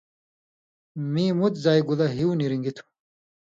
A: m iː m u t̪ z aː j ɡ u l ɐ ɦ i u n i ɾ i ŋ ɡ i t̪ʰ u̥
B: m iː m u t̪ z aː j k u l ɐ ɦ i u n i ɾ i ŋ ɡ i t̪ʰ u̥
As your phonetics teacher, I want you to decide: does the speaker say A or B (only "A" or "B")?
A